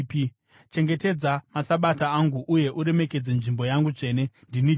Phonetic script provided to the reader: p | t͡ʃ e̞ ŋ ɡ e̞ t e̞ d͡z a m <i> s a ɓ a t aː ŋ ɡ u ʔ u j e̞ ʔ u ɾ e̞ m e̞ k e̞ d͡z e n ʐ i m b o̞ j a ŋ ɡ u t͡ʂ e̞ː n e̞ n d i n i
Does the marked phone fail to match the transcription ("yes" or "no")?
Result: yes